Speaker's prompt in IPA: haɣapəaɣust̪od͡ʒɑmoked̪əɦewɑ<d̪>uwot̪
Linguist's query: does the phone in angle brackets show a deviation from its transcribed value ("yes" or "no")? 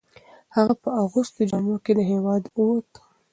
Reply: no